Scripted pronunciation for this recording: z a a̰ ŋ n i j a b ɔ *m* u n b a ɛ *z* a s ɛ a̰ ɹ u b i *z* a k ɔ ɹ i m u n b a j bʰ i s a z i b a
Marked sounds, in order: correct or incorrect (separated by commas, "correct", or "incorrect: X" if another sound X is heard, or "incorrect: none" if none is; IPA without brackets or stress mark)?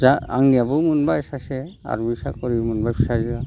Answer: correct, incorrect: s, incorrect: s